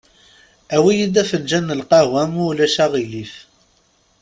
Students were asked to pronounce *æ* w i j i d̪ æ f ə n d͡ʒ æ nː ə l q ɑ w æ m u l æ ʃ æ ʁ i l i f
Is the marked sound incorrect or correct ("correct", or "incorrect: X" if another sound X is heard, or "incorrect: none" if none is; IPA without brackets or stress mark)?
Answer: correct